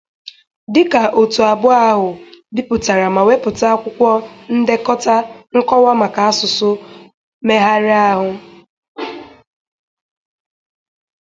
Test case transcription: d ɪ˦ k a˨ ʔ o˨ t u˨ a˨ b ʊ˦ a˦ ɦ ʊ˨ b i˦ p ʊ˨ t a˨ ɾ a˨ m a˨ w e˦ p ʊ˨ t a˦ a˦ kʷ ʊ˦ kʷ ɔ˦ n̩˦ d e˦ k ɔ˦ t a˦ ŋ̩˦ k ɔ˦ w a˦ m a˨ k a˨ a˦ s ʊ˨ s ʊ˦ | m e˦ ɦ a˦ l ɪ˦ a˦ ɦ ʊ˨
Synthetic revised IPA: d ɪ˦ k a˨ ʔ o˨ t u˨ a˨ b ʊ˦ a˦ ɦ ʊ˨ b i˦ p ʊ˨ t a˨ ɾ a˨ m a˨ w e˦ p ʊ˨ t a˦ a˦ kʷ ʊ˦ kʷ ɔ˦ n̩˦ d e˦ k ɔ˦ t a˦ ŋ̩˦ k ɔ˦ w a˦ m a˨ k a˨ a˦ s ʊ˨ s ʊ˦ | m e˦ ɦ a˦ ɾ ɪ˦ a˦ ɦ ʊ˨